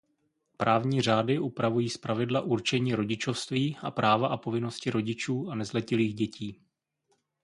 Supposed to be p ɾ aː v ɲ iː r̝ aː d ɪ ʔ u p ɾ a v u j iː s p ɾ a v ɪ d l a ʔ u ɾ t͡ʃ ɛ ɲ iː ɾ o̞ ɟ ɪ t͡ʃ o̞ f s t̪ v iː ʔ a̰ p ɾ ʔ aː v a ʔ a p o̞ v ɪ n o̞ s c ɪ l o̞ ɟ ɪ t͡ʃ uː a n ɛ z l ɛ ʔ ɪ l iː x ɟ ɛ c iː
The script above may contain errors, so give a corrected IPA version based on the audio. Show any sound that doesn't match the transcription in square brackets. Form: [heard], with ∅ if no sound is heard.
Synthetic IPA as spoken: p ɾ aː v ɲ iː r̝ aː d ɪ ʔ u p ɾ a v u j iː s p ɾ a v ɪ d l a ʔ u ɾ t͡ʃ ɛ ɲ iː ɾ o̞ ɟ ɪ t͡ʃ o̞ f s t̪ v iː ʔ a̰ p ɾ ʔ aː v a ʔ a p o̞ v ɪ n o̞ s c ɪ [ɾ] o̞ ɟ ɪ t͡ʃ uː a n ɛ z l ɛ [c] ɪ l iː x ɟ ɛ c iː